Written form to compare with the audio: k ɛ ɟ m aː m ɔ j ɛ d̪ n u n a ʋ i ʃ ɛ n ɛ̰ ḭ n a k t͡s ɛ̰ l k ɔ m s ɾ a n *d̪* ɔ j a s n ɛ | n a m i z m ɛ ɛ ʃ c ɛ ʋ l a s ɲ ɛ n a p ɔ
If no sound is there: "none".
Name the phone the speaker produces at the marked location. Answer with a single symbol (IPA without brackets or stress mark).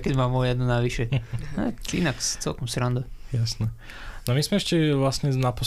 d̪